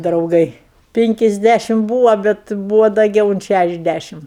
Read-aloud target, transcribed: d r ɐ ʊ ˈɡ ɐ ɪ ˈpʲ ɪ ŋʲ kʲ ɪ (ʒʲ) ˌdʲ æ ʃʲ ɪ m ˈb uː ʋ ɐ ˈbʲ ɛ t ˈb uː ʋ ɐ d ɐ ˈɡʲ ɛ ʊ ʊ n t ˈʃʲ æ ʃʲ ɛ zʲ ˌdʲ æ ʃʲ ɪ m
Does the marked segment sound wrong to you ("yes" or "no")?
yes